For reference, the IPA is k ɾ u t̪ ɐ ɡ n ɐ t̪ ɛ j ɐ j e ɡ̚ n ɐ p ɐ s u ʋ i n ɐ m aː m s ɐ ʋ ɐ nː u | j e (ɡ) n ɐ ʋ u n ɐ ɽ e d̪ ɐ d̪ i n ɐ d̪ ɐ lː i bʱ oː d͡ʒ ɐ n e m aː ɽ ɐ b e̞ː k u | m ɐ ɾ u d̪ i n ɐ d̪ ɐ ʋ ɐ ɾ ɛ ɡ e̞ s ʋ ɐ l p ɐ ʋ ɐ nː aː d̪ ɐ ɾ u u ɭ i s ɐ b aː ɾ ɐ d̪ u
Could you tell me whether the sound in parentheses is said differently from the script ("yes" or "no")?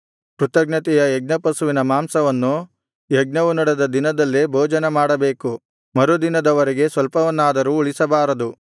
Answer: no